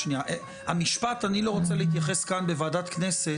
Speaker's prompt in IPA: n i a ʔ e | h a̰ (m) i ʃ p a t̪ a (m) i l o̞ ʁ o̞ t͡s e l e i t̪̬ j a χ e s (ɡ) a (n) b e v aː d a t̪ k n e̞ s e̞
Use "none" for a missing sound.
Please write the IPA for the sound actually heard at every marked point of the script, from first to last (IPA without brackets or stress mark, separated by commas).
m, n, k, n